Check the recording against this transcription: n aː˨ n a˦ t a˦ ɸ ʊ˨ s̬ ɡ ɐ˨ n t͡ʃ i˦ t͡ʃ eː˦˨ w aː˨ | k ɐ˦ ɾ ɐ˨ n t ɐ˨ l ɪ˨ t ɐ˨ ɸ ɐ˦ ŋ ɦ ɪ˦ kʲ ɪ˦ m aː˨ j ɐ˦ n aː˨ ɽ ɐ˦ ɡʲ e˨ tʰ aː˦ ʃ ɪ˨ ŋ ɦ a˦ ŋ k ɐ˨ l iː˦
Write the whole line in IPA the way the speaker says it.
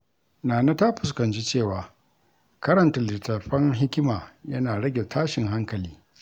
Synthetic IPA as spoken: n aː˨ n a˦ t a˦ ɸ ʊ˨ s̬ k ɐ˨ n t͡ʃ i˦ t͡ʃ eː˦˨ w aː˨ | k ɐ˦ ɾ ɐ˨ n t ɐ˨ l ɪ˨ t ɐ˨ ɸ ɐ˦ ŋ ɦ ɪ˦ kʲ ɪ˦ m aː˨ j ɐ˦ n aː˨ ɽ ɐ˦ ɡʲ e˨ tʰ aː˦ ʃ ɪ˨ ŋ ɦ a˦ ŋ k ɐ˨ l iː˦